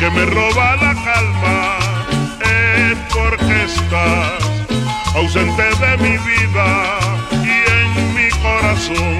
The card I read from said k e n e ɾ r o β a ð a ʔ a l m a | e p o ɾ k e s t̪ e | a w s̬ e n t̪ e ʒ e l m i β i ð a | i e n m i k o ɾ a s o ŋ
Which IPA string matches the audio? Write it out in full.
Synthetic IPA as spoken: k e m e r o β a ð a k a l m a | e p o ɾ k e s t̪ a | a w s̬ e n t̪ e ð e m i β i ð a | i e ŋ m i k o ɾ a s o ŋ